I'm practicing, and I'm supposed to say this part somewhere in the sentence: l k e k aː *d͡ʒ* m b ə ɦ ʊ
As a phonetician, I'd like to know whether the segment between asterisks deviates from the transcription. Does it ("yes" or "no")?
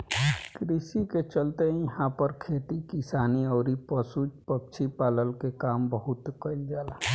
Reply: yes